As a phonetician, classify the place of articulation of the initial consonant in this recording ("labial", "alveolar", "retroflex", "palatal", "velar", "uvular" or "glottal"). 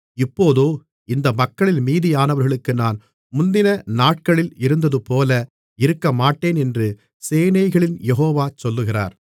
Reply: labial